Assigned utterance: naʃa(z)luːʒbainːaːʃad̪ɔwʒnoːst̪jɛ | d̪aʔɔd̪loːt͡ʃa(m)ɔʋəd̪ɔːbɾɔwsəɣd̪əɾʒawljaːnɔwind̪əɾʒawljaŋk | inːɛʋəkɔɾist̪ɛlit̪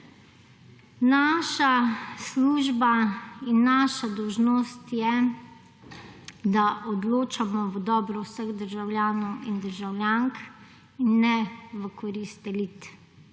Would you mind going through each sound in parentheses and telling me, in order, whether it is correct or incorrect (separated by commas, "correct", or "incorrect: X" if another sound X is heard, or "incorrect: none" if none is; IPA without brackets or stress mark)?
incorrect: s, correct